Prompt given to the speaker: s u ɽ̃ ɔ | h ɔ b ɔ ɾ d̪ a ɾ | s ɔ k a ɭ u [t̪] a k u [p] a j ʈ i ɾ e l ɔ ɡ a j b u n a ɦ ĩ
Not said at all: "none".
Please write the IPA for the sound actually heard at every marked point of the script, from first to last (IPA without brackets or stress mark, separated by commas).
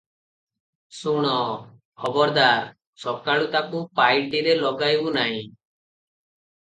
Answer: t̪, p